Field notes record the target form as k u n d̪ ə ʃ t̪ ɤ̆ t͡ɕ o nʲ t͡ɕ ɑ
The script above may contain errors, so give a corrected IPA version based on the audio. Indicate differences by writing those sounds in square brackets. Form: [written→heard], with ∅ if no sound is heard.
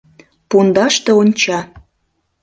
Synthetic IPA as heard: [k→p] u n d̪ [ə→ɑ] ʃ t̪ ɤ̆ [t͡ɕ→∅] o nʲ t͡ɕ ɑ